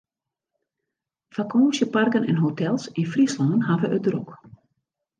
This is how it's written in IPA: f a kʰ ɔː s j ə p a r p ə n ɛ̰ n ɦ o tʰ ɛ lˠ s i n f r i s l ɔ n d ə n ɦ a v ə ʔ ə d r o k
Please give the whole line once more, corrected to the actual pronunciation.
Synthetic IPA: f a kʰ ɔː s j ə p a r k ə n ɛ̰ n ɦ o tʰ ɛ lˠ s i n f r i s l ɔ n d ə n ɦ a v ə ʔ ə d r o k